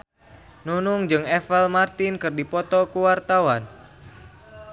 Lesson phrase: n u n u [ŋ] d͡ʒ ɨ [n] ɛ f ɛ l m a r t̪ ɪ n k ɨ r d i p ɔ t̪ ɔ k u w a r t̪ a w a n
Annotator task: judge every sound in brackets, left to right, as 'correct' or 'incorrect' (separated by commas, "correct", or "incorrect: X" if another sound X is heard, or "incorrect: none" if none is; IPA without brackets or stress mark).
correct, incorrect: ŋ